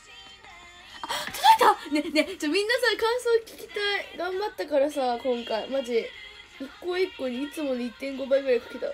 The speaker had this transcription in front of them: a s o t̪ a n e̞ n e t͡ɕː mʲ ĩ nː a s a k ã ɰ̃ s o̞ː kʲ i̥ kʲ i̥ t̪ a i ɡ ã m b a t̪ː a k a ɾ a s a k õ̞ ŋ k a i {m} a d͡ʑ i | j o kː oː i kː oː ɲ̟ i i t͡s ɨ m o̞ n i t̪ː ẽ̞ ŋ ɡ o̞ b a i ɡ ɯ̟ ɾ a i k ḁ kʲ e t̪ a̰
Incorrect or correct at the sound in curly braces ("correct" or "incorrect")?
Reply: correct